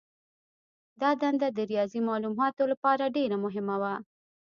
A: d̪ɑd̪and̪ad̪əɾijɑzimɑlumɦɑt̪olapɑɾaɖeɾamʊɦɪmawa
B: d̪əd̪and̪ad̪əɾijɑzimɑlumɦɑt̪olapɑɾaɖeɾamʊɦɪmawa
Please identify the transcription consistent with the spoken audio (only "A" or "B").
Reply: A